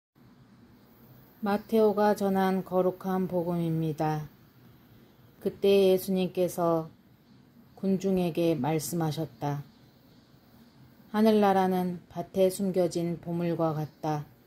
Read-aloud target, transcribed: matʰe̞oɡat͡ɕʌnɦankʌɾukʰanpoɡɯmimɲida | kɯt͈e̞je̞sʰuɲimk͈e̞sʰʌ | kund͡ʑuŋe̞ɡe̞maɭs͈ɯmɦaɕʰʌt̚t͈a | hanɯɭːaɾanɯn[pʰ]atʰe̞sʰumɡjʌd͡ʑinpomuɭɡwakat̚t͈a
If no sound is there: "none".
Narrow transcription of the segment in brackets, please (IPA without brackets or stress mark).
p